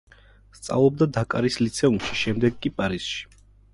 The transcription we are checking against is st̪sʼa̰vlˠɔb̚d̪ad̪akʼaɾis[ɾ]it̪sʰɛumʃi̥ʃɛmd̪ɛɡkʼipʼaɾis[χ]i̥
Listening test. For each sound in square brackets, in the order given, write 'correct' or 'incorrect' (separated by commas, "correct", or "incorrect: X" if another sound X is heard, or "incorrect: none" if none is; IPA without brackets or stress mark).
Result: incorrect: l, incorrect: ʃ